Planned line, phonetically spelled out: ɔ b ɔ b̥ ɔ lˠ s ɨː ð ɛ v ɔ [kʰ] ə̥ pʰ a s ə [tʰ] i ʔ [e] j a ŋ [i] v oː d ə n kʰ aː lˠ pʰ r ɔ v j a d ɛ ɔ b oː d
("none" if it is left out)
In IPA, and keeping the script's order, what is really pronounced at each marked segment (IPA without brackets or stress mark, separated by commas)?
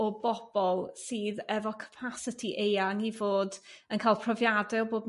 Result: kʰ, tʰ, e, i